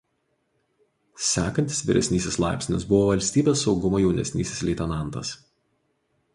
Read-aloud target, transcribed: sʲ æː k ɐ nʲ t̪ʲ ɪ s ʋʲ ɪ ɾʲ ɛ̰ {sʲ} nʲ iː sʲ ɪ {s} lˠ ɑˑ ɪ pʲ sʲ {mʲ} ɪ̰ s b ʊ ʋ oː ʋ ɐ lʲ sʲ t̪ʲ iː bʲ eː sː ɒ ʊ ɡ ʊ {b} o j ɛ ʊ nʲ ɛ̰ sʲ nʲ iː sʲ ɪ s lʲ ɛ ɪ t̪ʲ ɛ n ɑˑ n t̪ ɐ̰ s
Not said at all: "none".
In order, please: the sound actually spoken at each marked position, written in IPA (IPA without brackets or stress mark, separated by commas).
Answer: sʲ, s, nʲ, m